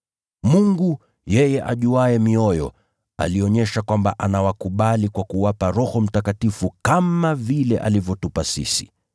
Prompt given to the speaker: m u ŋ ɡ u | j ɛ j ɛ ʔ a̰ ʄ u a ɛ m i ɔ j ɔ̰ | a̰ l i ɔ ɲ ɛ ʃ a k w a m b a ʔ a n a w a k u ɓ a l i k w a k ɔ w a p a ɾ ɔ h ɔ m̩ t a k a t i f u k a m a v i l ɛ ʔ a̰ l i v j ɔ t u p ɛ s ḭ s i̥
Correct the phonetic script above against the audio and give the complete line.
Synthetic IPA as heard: m u ŋ ɡ u | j ɛ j ɛ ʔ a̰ ʄ u a ɛ m i ɔ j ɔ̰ | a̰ l i ɔ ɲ ɛ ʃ a k w a m b a ʔ a n a w a k u ɓ a l i k w a k u w a p a ɾ ɔ h ɔ m̩ t a k a t i f u k a m a v i l ɛ ʔ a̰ l i v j ɔ t u p a s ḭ s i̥

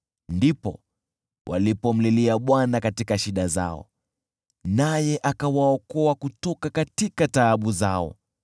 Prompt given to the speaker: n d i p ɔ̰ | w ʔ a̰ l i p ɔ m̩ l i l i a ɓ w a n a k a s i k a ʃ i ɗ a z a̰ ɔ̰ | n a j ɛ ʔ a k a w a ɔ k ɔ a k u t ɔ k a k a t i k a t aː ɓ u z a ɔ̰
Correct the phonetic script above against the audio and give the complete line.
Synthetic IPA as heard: n d i p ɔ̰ | w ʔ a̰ l i p ɔ m̩ l i l i a ɓ w a n a k a t i k a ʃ i ɗ a z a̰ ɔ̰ | n a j ɛ ʔ a k a w a ɔ k ɔ a k u t ɔ k a k a t i k a t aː ɓ u z a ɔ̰

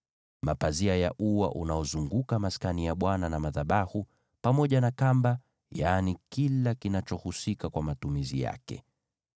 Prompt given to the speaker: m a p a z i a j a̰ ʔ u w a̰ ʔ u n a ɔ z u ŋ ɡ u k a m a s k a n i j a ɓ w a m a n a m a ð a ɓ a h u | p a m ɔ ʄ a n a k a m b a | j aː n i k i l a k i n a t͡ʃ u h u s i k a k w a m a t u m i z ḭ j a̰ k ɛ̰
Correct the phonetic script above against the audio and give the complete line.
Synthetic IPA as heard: m a p a z i a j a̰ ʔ u w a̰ ʔ u n a ɔ z u ŋ ɡ u k a m a s k a n i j a ɓ w a n a n a m a ð a ɓ a h u | p a m ɔ ʄ a n a k a m b a | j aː n i k i l a k i n a t͡ʃ ɔ h u s i k a k w a m a t u m i z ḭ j a̰ k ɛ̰

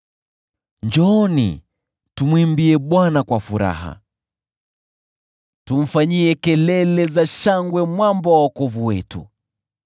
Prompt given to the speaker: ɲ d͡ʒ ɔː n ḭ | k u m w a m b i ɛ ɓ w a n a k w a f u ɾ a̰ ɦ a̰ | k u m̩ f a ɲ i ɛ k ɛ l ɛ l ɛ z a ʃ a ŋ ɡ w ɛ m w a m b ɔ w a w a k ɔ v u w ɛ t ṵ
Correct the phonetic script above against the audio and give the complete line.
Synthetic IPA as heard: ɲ d͡ʒ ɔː n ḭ | t u m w i m b i ɛ ɓ w a n a k w a f u ɾ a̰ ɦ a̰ | t u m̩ f a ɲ i ɛ k ɛ l ɛ l ɛ z a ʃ a ŋ ɡ w ɛ m w a m b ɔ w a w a k ɔ v u w ɛ t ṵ

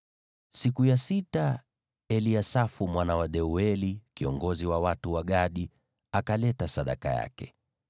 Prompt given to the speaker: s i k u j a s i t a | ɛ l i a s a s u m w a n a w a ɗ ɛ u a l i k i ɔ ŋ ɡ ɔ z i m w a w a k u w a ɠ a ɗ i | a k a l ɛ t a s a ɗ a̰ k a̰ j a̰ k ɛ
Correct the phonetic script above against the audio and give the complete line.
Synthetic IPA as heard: s i k u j a s i t a | ɛ l i a s a f u m w a n a w a ɗ ɛ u ɛ l i k i ɔ ŋ ɡ ɔ z i w a w a t u w a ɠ a ɗ i | a k a l ɛ t a s a ɗ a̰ k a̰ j a̰ k ɛ

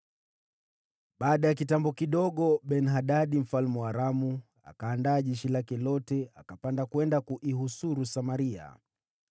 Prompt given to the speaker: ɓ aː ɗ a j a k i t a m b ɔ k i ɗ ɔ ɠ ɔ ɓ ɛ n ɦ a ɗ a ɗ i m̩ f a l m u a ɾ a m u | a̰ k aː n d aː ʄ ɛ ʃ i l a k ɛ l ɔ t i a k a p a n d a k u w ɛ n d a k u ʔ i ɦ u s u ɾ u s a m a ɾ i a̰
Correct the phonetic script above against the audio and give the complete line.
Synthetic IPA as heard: ɓ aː ɗ a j a k i t a m b ɔ k i ɗ ɔ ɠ ɔ ɓ ɛ n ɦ a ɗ a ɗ i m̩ f a l m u a ɾ a m u | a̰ k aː n d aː ʄ ɛ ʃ i l a k ɛ l ɔ t ɛ a k a p a n d a k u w ɛ n d a k u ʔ i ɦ u s u ɾ u s a m a ɾ i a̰

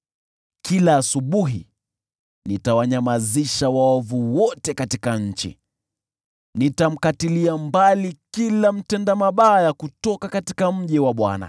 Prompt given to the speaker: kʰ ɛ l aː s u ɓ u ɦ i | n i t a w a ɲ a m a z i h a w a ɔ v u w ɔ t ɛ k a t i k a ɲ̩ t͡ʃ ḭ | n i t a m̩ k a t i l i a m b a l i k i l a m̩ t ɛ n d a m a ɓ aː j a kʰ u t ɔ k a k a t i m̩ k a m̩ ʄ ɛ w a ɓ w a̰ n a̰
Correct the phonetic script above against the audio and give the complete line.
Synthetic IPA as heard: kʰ i l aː s u ɓ u ɦ i | n i t a w a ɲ a m a z i ʃ a w a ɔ v u w ɔ t ɛ k a t i k a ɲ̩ t͡ʃ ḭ | n i t a m̩ k a t i l i a m b a l i k i l a m̩ t ɛ n d a m a ɓ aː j a k u t ɔ k a k a t i k a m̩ ʄ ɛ w a ɓ w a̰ n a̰

